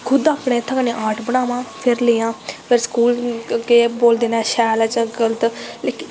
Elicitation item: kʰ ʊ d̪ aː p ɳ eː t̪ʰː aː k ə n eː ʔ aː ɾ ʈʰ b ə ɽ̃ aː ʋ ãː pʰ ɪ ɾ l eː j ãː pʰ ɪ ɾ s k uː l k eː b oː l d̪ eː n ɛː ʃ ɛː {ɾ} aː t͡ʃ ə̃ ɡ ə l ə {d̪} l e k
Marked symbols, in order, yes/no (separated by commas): no, no